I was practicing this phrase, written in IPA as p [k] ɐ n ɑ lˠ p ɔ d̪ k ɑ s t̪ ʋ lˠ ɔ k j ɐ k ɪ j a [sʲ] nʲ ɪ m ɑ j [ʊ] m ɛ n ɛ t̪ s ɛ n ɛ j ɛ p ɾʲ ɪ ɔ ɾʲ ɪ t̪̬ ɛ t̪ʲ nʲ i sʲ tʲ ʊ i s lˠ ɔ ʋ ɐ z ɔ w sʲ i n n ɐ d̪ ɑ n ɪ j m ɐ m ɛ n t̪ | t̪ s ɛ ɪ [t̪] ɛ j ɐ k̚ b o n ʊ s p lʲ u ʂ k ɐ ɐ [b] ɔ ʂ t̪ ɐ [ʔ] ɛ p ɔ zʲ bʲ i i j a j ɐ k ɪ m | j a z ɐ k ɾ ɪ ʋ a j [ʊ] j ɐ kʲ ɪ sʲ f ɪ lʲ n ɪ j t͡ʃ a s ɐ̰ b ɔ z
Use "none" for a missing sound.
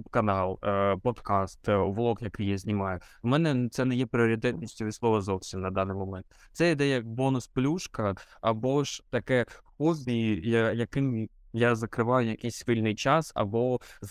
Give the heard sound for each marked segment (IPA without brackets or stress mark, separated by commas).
k, zʲ, ʊ, d̪, b, k, ʊ